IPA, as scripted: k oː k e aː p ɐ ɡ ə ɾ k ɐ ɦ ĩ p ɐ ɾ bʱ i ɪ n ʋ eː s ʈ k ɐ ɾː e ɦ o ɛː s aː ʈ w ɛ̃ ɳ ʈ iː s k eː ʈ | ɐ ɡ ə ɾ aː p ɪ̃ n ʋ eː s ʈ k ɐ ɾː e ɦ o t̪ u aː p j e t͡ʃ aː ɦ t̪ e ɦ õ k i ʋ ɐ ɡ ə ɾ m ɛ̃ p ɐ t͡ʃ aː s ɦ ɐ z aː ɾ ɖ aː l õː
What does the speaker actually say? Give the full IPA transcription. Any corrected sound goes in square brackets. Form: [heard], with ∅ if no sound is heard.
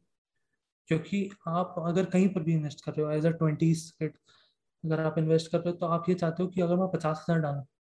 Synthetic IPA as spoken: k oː k [i] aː p ɐ ɡ ə ɾ k ɐ ɦ ĩ p ɐ ɾ bʱ i ɪ n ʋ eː s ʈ k ɐ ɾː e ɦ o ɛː [z] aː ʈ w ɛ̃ ɳ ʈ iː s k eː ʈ | ɐ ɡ ə ɾ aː p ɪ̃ n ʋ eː s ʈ k ɐ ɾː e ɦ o t̪ [o] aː p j e t͡ʃ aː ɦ t̪ e ɦ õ k i [∅] ɐ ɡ ə ɾ m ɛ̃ p ɐ t͡ʃ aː s ɦ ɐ z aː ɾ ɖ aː l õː